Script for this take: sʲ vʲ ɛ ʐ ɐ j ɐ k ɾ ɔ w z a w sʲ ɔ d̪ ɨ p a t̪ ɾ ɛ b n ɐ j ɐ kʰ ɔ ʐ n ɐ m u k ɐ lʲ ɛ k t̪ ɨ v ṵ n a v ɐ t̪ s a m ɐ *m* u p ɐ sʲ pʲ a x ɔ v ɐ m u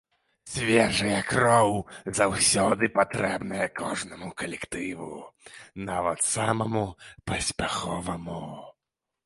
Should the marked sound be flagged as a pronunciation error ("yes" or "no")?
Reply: no